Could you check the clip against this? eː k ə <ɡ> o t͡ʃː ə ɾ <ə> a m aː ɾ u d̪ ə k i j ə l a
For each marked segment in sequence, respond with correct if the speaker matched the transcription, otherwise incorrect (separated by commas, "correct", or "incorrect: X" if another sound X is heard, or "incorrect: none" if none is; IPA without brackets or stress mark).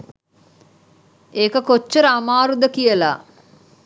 incorrect: k, correct